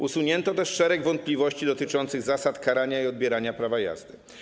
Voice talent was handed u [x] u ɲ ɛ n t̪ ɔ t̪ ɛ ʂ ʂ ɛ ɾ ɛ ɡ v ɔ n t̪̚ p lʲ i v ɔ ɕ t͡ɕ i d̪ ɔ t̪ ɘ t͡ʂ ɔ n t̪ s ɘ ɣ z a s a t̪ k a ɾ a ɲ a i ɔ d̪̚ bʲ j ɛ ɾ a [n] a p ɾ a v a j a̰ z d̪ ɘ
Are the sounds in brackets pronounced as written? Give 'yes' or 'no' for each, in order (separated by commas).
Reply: no, no